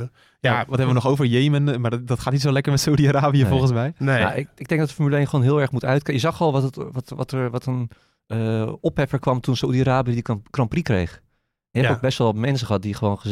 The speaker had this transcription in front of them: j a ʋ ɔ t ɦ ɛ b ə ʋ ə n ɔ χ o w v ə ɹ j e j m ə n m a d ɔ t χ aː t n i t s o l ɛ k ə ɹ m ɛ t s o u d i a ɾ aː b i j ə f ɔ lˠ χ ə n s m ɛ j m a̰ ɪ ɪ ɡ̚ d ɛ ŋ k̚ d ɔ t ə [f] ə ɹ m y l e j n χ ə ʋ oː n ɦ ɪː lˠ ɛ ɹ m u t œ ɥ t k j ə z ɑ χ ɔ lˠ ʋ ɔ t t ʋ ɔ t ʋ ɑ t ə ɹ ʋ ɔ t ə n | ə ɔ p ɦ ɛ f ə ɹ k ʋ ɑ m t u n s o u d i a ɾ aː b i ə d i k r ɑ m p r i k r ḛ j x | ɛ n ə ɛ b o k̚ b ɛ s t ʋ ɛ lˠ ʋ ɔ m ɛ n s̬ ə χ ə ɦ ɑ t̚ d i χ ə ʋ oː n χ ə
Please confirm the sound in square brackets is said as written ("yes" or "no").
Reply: yes